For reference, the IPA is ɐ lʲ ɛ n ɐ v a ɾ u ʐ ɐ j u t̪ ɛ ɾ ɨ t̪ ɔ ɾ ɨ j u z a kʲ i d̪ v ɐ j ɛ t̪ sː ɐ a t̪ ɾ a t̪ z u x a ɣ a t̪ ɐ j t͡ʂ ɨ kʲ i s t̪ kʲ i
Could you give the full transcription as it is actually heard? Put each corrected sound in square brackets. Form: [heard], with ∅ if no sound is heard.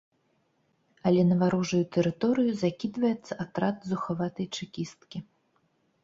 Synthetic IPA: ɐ lʲ ɛ n ɐ v a ɾ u ʐ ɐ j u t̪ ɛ ɾ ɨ t̪ ɔ ɾ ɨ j u z a kʲ i d̪ v ɐ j ɛ t̪ sː ɐ a t̪ ɾ a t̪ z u x a [v] a t̪ ɐ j t͡ʂ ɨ kʲ i s t̪ kʲ i